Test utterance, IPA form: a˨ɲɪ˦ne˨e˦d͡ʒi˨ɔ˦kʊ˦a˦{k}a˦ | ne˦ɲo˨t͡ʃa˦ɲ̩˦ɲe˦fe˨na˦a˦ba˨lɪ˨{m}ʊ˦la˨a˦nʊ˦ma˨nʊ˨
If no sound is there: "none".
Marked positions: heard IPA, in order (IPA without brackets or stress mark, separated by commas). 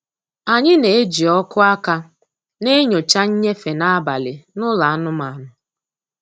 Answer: k, n